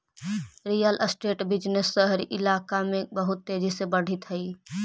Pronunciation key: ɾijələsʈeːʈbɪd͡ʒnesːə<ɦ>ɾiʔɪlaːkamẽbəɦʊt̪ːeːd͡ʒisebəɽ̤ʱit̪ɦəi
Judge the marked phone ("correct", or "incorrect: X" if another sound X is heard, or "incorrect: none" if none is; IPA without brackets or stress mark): correct